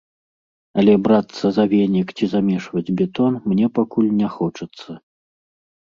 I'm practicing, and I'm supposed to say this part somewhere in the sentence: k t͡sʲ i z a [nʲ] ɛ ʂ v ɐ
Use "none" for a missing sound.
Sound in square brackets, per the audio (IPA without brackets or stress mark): mʲ